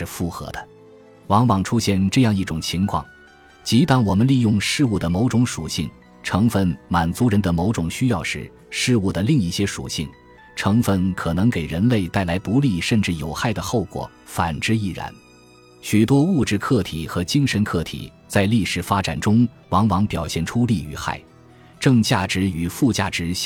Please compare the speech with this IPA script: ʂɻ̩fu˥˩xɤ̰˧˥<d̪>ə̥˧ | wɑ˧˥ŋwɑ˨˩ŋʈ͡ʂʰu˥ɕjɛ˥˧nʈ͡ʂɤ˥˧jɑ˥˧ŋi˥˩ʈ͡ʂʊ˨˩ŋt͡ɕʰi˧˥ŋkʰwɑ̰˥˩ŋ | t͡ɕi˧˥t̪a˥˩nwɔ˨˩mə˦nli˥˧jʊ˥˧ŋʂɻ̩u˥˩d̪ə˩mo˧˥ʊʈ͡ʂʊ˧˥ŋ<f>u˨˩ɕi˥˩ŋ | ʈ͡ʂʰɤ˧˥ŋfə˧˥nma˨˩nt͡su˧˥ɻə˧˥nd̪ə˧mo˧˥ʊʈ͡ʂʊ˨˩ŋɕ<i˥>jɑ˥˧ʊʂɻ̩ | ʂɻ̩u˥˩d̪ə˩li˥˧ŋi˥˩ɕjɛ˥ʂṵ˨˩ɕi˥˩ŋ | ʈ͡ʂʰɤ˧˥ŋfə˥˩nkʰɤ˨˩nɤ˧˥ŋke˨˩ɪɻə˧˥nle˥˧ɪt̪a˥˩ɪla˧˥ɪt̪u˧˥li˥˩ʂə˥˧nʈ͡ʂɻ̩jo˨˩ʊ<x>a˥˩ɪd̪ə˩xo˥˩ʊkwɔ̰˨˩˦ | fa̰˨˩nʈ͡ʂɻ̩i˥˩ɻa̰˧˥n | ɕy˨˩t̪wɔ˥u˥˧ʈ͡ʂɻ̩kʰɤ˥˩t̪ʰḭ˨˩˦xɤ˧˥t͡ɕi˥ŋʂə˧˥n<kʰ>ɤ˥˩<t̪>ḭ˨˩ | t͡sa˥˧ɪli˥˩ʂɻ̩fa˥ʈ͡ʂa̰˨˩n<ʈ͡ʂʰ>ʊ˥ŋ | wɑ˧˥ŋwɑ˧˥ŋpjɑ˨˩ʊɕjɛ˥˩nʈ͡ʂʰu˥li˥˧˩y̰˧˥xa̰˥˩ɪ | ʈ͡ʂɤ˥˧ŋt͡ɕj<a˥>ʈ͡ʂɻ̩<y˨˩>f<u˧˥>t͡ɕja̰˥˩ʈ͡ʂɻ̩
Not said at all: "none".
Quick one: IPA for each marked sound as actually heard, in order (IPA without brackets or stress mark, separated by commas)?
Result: d̪, ʂ, y˥, x, kʰ, t̪ʰ, ʈ͡ʂ, a˥˩, y˨˩, u˥˧